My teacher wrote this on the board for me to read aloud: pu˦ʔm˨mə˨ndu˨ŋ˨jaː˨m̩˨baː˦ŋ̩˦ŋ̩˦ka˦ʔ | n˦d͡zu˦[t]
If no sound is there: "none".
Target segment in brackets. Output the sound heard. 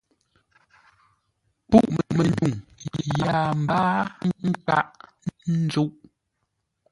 ʔ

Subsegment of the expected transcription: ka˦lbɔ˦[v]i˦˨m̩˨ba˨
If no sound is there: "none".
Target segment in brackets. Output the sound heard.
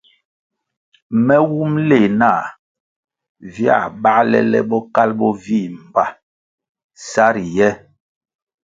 v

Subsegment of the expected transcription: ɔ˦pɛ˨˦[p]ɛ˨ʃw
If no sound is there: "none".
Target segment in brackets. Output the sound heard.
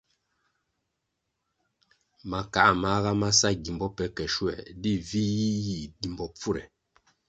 k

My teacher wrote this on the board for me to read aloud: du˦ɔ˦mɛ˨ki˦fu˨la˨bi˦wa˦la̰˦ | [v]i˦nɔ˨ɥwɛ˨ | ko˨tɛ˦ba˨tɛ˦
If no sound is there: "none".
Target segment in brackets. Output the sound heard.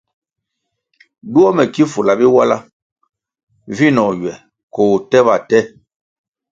v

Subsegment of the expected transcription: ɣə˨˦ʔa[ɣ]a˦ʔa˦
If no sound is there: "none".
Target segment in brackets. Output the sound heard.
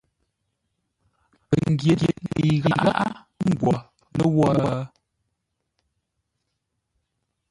ɣ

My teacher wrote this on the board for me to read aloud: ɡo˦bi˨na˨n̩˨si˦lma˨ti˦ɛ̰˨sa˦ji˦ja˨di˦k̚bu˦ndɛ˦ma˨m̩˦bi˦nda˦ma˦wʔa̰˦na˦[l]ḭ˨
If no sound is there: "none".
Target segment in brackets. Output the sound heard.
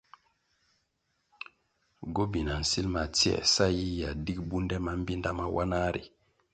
ɾ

